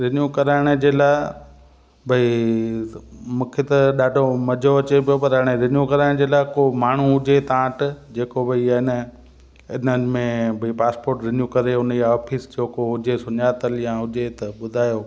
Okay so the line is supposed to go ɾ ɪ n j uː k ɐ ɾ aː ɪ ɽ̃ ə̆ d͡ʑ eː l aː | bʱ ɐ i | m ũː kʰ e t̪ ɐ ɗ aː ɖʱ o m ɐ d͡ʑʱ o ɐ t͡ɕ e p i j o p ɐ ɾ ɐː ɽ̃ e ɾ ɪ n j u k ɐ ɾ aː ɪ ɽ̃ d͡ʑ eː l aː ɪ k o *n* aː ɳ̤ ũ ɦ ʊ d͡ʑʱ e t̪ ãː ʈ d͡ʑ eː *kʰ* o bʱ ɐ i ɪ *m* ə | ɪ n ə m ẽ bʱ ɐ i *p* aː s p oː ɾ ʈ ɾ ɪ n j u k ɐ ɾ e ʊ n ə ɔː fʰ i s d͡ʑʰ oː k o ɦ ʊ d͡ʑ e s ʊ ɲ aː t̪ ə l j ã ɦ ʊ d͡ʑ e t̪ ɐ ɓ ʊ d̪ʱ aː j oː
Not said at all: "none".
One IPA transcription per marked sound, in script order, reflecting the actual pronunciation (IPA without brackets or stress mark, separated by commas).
m, k, n, p